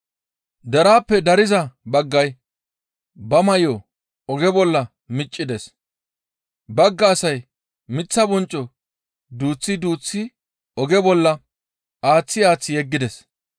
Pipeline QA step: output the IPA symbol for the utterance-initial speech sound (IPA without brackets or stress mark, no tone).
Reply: d̪